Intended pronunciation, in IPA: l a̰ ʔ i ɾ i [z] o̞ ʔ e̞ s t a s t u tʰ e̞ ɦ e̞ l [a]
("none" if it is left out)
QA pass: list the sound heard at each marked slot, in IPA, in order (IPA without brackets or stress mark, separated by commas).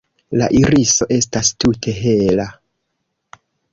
s, a